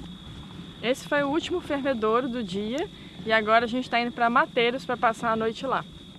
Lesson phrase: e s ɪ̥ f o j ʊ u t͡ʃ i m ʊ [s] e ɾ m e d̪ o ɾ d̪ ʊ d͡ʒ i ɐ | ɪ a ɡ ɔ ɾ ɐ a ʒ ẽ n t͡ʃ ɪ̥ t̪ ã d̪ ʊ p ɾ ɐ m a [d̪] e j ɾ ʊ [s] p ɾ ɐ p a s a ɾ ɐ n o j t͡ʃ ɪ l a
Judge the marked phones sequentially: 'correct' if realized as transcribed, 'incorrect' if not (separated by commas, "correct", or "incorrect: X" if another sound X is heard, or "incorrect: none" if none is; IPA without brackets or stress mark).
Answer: incorrect: f, incorrect: t̪, correct